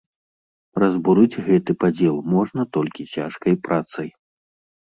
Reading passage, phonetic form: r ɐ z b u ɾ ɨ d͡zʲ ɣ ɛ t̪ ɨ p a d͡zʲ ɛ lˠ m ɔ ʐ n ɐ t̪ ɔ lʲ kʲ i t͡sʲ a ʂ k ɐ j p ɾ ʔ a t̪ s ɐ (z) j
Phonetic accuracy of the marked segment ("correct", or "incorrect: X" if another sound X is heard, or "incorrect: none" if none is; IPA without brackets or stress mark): incorrect: none